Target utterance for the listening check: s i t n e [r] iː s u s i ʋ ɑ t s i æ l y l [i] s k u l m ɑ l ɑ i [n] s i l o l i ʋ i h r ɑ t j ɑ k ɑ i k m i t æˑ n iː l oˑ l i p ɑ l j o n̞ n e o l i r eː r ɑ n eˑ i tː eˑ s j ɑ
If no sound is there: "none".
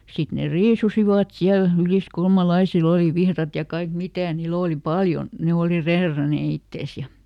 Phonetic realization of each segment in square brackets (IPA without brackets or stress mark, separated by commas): r, i, none